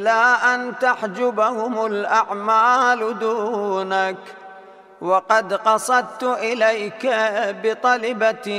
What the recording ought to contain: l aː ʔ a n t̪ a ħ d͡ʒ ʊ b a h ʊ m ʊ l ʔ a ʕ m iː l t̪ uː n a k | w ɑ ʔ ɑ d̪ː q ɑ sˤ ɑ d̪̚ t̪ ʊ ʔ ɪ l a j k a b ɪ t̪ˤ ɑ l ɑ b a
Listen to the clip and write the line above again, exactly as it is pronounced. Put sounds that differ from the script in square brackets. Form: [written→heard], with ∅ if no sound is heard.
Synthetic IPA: l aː ʔ a n t̪ a ħ d͡ʒ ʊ b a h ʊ m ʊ l ʔ a ʕ m [iː→aː] l [t̪→d̪] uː n a k | w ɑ [ʔ→q] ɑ [d̪ː→d̪] q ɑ sˤ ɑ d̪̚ t̪ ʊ ʔ ɪ l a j k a b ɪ t̪ˤ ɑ l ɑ b a